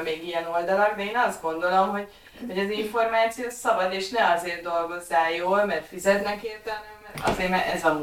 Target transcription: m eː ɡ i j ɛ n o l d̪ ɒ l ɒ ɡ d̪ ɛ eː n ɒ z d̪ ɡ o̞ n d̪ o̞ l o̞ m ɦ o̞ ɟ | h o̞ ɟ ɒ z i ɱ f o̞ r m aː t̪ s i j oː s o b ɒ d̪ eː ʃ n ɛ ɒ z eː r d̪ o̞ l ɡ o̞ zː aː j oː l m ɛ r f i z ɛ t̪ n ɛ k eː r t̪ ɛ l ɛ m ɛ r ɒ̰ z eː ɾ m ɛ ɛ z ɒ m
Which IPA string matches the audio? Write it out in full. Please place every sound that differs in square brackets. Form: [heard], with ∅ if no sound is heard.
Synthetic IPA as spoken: m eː ɡ i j ɛ n o l d̪ ɒ l ɒ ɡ d̪ ɛ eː n ɒ z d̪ ɡ o̞ n d̪ o̞ l o̞ m ɦ o̞ ɟ | h o̞ ɟ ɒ z i ɱ f o̞ r m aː t̪ s i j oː s [ɒ] b ɒ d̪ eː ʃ n ɛ ɒ z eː r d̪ o̞ l ɡ o̞ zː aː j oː l m ɛ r f i z ɛ t̪ n ɛ k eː r t̪ ɛ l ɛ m ɛ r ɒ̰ z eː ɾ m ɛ ɛ z ɒ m